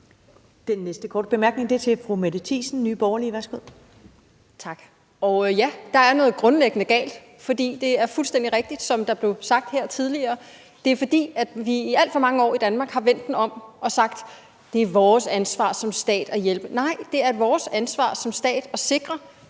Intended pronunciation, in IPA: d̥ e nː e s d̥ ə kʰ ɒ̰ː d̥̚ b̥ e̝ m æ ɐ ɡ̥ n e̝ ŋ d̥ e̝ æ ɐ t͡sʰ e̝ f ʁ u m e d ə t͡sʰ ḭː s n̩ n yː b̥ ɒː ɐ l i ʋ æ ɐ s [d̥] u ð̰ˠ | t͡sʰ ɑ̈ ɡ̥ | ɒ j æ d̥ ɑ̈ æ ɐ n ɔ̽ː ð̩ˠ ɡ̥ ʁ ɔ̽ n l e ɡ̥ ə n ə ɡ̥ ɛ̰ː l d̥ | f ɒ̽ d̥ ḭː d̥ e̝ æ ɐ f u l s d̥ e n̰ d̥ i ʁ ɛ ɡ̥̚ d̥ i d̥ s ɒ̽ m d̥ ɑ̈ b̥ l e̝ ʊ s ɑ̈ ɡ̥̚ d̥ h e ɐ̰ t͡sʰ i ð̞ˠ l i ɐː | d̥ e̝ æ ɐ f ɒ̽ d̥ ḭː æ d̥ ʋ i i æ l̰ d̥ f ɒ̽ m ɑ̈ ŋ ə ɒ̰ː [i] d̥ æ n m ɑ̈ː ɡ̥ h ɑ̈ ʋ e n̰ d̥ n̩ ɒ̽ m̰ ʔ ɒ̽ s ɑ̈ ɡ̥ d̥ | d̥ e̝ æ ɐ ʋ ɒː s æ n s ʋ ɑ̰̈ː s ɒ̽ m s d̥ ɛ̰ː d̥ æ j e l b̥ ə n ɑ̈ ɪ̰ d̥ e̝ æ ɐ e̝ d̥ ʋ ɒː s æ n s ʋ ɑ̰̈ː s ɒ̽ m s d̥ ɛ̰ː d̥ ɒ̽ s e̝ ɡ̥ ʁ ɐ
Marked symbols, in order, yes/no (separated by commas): no, yes